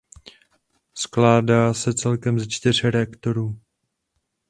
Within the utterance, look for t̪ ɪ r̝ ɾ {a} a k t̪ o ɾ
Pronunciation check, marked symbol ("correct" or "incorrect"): incorrect